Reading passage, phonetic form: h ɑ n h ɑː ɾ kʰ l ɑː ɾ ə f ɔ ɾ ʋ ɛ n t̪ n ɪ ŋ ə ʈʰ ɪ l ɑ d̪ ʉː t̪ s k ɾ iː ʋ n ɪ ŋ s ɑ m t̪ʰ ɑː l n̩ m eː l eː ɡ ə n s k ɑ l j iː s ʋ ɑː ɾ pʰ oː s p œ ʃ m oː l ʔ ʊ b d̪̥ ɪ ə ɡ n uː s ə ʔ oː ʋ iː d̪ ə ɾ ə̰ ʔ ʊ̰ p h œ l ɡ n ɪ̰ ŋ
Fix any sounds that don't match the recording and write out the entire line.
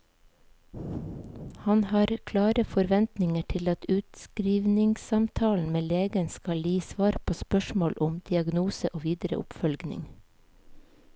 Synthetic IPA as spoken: h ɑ n h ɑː ɾ kʰ l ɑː ɾ ə f ɔ ɾ ʋ ɛ n t̪ n ɪ ŋ ə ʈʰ ɪ l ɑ t̪ ʉː t̪ s k ɾ iː ʋ n ɪ ŋ s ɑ m t̪ʰ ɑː l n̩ m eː l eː ɡ ə n s k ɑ l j iː s ʋ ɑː ɾ pʰ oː s p œ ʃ m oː l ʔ ʊ m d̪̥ ɪ ɑ ɡ n uː s ə ʔ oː ʋ iː d̪ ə ɾ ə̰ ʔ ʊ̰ p f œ l ɡ n ɪ̰ ŋ